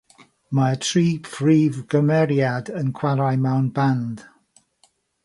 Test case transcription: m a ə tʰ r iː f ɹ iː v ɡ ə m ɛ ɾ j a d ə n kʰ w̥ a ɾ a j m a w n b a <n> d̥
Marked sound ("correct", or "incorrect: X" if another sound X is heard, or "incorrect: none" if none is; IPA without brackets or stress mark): correct